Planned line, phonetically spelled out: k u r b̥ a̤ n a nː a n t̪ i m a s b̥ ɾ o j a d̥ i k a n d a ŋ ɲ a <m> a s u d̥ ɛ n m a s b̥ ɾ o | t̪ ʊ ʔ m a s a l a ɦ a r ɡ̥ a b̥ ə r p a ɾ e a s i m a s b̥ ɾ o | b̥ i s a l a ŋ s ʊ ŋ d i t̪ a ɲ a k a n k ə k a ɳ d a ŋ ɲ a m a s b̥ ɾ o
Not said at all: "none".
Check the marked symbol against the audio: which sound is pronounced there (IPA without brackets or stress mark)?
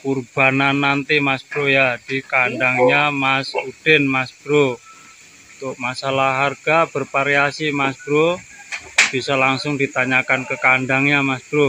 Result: m